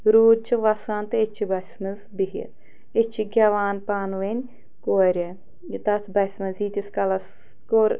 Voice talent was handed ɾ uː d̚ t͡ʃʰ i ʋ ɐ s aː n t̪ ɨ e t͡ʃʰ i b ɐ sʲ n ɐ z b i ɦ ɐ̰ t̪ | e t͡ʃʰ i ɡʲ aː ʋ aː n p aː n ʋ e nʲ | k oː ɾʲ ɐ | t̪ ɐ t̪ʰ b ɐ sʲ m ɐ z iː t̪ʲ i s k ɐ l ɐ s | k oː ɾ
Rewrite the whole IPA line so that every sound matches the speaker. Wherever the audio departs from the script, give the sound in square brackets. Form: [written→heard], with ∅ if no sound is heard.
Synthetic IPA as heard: ɾ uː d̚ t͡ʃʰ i ʋ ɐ s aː n t̪ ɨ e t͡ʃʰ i b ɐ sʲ [n→m] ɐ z b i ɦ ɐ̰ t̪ | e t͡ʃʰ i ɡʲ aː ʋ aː n p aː n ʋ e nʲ | k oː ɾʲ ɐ | t̪ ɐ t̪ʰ b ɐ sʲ m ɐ z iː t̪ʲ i s k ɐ l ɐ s | k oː ɾ